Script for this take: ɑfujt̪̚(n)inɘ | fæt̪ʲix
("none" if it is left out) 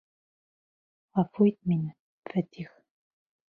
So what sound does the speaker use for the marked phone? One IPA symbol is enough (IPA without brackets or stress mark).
m